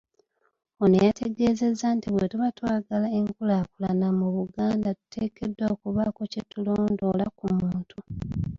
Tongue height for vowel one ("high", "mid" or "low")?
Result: mid